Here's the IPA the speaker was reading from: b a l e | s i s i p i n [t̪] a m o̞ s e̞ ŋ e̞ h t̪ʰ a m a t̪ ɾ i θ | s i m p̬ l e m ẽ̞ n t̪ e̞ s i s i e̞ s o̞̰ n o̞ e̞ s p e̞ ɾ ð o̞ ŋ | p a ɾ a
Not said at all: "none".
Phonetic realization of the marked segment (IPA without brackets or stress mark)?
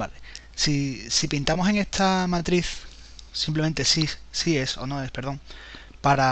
t̪